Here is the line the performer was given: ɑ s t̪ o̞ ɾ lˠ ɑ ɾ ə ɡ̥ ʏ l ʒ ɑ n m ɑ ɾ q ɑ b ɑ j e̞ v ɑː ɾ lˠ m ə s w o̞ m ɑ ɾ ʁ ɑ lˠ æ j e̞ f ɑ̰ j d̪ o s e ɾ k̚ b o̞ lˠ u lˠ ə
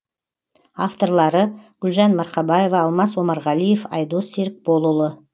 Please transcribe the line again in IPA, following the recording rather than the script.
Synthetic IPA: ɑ f t̪ o̞ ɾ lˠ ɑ ɾ ə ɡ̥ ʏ l ʒ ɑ n m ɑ ɾ q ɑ b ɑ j e̞ v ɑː lˠ m ɑ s w o̞ m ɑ ɾ ʁ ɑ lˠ i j e̞ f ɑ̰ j d̪ o s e ɾ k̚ b o̞ lˠ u lˠ ə